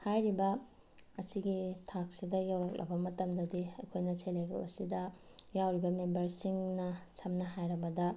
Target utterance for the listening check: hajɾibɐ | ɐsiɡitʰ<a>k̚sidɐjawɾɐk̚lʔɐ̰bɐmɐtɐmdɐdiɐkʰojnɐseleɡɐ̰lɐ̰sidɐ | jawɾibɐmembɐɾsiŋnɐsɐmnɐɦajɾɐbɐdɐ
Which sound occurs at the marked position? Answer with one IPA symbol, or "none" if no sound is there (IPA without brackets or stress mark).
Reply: a